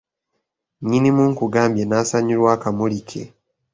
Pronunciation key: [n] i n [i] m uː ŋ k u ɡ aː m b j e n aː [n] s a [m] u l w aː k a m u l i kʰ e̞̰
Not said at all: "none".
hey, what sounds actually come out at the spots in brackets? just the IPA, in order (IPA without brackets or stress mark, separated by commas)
ɲ, i, none, ɲ